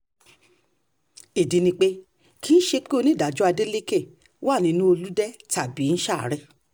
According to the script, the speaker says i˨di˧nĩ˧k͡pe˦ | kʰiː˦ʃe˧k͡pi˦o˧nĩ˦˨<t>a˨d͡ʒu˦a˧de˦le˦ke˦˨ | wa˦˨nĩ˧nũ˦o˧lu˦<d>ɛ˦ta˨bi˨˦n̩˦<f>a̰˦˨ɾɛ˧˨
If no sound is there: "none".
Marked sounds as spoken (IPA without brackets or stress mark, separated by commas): d, d, ʃ